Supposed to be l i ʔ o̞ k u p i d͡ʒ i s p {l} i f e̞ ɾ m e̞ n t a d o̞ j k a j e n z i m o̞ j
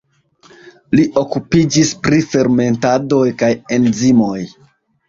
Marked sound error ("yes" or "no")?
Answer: yes